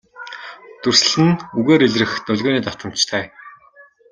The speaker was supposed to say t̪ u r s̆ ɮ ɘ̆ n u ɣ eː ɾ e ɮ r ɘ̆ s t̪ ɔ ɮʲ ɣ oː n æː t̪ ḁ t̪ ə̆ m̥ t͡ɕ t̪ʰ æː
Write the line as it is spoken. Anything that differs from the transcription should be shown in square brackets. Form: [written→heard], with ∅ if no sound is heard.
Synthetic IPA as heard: t̪ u r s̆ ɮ ɘ̆ n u ɣ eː ɾ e ɮ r ɘ̆ [s→x] t̪ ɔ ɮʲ ɣ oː n [æː→iː] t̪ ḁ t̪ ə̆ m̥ t͡ɕ t̪ʰ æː